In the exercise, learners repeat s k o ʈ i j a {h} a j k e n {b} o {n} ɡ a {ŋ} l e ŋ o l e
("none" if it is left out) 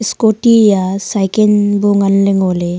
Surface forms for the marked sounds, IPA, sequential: s, b, ŋ, n

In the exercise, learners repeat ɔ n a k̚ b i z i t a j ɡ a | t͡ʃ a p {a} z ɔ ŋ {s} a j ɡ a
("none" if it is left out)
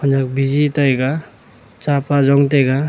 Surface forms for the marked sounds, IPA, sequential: a, t

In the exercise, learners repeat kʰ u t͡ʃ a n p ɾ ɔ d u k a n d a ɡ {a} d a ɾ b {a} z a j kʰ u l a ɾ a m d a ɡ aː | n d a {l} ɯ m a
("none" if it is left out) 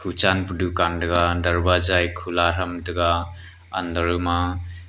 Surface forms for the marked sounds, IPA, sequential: a, a, ɾ

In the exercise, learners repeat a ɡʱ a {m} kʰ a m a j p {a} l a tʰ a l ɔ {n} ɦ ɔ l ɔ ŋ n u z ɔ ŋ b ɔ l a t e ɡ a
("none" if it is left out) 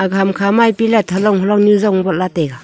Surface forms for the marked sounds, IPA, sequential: m, i, ŋ

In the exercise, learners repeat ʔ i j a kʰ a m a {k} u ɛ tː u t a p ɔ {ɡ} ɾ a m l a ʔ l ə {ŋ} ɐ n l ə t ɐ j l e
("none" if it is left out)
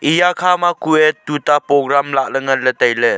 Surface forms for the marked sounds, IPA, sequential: k, ɡ, ŋ

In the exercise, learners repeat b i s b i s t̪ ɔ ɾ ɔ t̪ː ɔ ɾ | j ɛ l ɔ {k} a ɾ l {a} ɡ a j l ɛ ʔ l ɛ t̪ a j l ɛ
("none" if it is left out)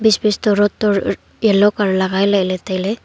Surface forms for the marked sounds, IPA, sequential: k, a

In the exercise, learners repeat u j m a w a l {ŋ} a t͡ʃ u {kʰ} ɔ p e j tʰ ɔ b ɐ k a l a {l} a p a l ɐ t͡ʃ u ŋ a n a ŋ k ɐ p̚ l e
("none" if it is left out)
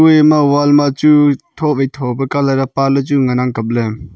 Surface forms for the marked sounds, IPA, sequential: m, tʰ, ɾ

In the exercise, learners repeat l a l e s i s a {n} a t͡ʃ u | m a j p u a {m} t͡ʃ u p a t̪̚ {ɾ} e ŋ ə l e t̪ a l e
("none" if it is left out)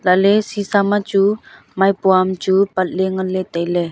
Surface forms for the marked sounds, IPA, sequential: m, m, l

